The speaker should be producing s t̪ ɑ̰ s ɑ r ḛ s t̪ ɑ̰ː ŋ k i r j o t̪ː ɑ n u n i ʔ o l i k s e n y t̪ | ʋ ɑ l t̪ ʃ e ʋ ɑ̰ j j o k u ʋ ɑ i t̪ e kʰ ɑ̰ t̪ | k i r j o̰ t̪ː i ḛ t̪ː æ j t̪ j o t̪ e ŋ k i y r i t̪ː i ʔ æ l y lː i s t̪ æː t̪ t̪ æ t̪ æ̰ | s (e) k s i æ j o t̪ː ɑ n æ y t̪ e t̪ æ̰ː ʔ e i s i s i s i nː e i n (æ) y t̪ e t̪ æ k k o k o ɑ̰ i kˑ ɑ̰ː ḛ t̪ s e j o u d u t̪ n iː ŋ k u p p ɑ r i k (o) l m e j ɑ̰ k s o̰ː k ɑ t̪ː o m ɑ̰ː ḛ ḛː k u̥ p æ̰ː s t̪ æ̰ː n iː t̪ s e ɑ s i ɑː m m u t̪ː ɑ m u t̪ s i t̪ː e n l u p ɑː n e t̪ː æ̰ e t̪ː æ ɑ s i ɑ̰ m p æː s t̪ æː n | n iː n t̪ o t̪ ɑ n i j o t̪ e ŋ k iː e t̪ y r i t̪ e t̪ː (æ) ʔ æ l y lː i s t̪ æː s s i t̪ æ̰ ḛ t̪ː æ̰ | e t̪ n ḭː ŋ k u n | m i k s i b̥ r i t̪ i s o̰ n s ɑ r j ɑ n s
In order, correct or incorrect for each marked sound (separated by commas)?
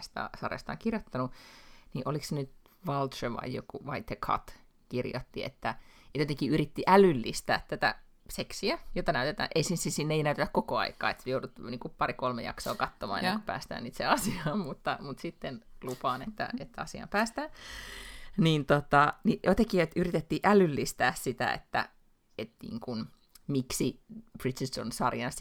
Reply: correct, correct, correct, incorrect